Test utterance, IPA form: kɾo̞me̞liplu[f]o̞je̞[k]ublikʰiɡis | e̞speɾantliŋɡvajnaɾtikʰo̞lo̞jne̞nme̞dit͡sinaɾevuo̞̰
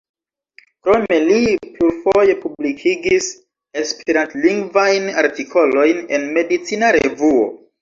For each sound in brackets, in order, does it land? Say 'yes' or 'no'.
yes, no

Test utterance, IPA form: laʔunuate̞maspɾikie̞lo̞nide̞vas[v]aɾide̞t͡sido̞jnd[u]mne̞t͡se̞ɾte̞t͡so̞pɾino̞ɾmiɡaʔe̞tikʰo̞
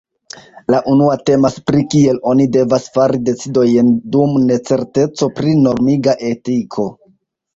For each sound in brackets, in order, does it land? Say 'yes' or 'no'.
no, yes

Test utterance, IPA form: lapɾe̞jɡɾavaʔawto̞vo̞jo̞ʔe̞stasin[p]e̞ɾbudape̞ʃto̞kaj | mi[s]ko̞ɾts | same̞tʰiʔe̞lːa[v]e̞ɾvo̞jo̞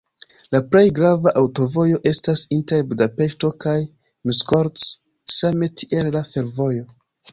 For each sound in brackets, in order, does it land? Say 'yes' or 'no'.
no, yes, no

